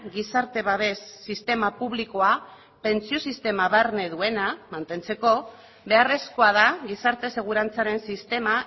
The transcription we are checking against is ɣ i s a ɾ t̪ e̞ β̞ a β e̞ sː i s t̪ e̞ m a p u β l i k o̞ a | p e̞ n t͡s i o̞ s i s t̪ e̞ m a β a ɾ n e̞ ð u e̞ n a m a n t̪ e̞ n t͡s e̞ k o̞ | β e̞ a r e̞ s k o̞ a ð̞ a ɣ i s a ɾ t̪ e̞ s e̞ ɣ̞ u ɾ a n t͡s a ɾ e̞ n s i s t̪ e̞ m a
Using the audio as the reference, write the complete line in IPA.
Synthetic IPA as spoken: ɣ i s a ɾ t̪ e̞ β̞ a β e̞ sː i s t̪ e̞ m a p u β l i k o̞ a | p e̞ n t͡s i o̞ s i s t̪ e̞ m a β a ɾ n e̞ ð u e̞ n a m a n t̪ e̞ n t͡s e̞ k o̞ | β e̞ a r e̞ s k o̞ a ð̞ a ɣ i s a ɾ t̪ e̞ s e̞ ɣ̞ u ɾ a n t͡s a ɾ e̞ n s i s t̪ e̞ m a

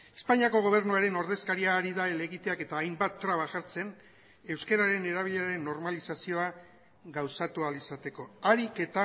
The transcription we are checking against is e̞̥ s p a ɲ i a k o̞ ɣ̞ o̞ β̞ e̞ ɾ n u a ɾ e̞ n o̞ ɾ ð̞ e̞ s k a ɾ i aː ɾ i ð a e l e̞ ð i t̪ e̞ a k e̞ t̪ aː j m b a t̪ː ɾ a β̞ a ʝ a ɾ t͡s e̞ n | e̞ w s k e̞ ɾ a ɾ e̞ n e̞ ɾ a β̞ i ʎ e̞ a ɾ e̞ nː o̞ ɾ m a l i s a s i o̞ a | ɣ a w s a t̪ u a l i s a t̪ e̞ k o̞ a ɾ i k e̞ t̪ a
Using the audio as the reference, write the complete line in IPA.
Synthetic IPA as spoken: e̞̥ s p a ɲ i a k o̞ ɣ̞ o̞ β̞ e̞ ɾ n u a ɾ e̞ n o̞ ɾ ð̞ e̞ s k a ɾ i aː ɾ i ð a e l e̞ ɣ i t̪ e̞ a k e̞ t̪ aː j m b a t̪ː ɾ a β̞ a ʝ a ɾ t͡s e̞ n | e̞ w s k e̞ ɾ a ɾ e̞ n e̞ ɾ a β̞ i ʎ e̞ a ɾ e̞ nː o̞ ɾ m a l i s a s i o̞ a | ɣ a w s a t̪ u a l i s a t̪ e̞ k o̞ a ɾ i k e̞ t̪ a

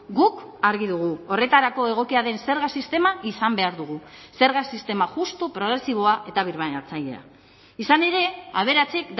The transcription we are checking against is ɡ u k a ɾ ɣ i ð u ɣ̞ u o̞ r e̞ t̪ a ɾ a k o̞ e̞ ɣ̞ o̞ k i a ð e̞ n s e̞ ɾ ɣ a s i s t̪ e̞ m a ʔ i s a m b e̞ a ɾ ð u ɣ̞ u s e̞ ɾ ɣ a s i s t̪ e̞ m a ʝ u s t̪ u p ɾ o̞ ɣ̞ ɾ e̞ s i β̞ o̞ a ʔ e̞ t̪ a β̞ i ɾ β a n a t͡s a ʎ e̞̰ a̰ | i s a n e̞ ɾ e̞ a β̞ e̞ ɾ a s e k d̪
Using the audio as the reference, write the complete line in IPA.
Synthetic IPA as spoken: ɡ u k a ɾ ɣ i ð u ɣ̞ u o̞ r e̞ t̪ a ɾ a k o̞ e̞ ɣ̞ o̞ k i a ð e̞ n s e̞ ɾ ɣ a s i s t̪ e̞ m a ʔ i s a m b e̞ a ɾ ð u ɣ̞ u s e̞ ɾ ɣ a s i s t̪ e̞ m a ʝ u s t̪ u p ɾ o̞ ɣ̞ ɾ e̞ s i β̞ o̞ a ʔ e̞ t̪ a β̞ i ɾ β a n a t͡s a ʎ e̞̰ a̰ | i s a n e̞ ɾ e̞ a β̞ e̞ ɾ a t͡s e k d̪

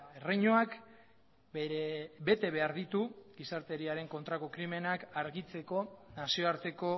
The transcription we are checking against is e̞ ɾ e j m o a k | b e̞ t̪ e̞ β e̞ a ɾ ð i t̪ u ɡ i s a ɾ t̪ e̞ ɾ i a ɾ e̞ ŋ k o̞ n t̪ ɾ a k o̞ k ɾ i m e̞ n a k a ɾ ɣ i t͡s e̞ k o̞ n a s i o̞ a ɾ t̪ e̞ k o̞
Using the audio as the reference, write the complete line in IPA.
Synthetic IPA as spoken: e̞ r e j ɲ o a k | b e̞ t̪ e̞ β e̞ a ɾ ð i t̪ u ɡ i s a ɾ t̪ e̞ ɾ i a ɾ e̞ ŋ k o̞ n t̪ ɾ a k o̞ k ɾ i m e̞ n a k a ɾ ɣ i t͡s e̞ k o̞ n a s i o̞ a ɾ t̪ e̞ k o̞

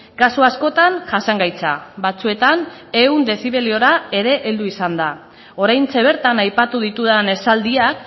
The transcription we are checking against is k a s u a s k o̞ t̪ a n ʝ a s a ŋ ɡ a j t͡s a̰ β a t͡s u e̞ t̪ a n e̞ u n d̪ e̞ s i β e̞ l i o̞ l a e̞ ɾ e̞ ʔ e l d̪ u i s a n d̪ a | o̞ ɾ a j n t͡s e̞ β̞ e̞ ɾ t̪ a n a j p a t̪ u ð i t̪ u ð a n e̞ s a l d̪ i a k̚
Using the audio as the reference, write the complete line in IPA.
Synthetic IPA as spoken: k a s u a s k o̞ t̪ a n ʝ a s a ŋ ɡ a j t͡s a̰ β a t͡s u e̞ t̪ a n e̞ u n d̪ e̞ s i β e̞ l i o̞ ɾ a e̞ ɾ e̞ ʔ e l d̪ u i s a n d̪ a | o̞ ɾ a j n t͡s e̞ β̞ e̞ ɾ t̪ a n a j p a t̪ u ð i t̪ u ð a n e̞ s a l d̪ i a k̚

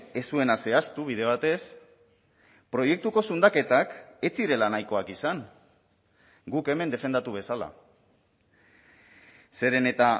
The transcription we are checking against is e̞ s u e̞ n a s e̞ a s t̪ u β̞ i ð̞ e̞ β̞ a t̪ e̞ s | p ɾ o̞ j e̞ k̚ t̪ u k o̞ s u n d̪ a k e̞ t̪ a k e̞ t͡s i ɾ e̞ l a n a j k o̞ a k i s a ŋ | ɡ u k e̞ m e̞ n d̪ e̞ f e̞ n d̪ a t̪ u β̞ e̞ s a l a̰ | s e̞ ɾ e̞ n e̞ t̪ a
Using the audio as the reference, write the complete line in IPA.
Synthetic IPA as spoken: e̞ s u e̞ n a s e̞ a s t̪ u β̞ i ð̞ e̞ β̞ a t̪ e̞ s | p ɾ o̞ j e̞ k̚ t̪ u k o̞ s u n d̪ a k e̞ t̪ a k e̞ t͡s i ɾ e̞ l a n a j k o̞ a k i s a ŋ | ɡ u k e̞ m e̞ n d̪ e̞ f e̞ n d̪ a t̪ u β̞ e̞ s a l a̰ | s e̞ ɾ e̞ n e̞ t̪ a

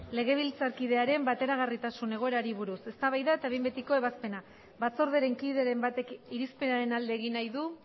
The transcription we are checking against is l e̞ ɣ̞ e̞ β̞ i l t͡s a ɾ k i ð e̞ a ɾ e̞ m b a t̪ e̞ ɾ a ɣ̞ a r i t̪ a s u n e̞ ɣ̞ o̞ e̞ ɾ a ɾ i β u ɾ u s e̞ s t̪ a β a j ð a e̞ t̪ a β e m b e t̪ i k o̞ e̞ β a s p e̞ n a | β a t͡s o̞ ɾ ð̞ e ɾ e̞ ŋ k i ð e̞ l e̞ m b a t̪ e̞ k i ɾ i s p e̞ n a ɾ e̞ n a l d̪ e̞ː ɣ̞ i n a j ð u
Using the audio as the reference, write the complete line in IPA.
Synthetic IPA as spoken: l e̞ ɣ̞ e̞ β̞ i l t͡s a ɾ k i ð e̞ a ɾ e̞ m b a t̪ e̞ ɾ a ɣ̞ a r i t̪ a s u n e̞ ɣ̞ o̞ e̞ ɾ a ɾ i β u ɾ u s e̞ s t̪ a β a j ð a e̞ t̪ a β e m b e t̪ i k o̞ e̞ β a s p e̞ n a | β a t͡s o̞ ɾ ð̞ e ɾ e̞ ŋ k i ð e̞ ɾ e̞ m b a t̪ e̞ k i ɾ i s p e̞ n a ɾ e̞ n a l d̪ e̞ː ɣ̞ i n a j ð u

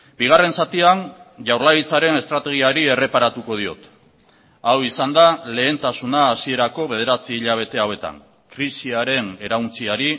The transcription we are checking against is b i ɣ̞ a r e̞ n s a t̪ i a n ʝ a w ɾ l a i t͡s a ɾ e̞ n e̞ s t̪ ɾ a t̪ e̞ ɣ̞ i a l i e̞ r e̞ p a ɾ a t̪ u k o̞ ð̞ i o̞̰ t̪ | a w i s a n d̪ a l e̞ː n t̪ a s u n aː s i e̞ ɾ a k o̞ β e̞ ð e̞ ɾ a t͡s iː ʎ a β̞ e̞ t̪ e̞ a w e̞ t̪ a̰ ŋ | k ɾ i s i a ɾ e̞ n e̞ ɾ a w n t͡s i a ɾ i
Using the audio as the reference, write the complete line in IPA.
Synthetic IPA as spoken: b i ɣ̞ a r e̞ n s a t̪ i a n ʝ a w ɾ l a i t͡s a ɾ e̞ n e̞ s t̪ ɾ a t̪ e̞ ɣ̞ i a ɾ i e̞ r e̞ p a ɾ a t̪ u k o̞ ð̞ i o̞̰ t̪ | a w i s a n d̪ a l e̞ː n t̪ a s u n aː s i e̞ ɾ a k o̞ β e̞ ð e̞ ɾ a t͡s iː ʎ a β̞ e̞ t̪ e̞ a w e̞ t̪ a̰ ŋ | k ɾ i s i a ɾ e̞ n e̞ ɾ a w n t͡s i a ɾ i

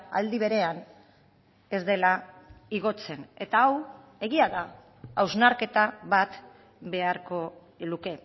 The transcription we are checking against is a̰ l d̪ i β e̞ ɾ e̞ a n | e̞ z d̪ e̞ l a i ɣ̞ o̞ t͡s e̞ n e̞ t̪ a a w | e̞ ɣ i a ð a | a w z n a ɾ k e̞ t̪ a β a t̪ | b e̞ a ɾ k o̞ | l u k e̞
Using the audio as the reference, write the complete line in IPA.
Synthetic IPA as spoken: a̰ l d̪ i β e̞ ɾ e̞ a n | e̞ z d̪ e̞ l a i ɣ̞ o̞ t͡s e̞ n e̞ t̪ a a w | e̞ ɣ i a ð a | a w z n a ɾ k e̞ t̪ a β a t̪ | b e̞ a ɾ k o̞ | l u k e̞

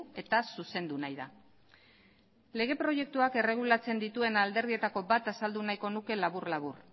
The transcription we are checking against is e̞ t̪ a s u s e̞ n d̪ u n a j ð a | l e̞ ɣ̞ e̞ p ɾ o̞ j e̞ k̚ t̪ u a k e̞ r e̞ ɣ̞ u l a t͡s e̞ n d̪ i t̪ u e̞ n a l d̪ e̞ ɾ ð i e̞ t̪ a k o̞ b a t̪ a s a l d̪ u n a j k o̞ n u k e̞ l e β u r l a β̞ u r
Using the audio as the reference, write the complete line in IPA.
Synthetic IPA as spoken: e̞ t̪ a s u s e̞ n d̪ u n a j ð a | l e̞ ɣ̞ e̞ p ɾ o̞ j e̞ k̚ t̪ u a k e̞ r e̞ ɣ̞ u l a t͡s e̞ n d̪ i t̪ u e̞ n a l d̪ e̞ ɾ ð i e̞ t̪ a k o̞ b a t̪ a s a l d̪ u n a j k o̞ n u k e̞ l a β u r l a β̞ u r

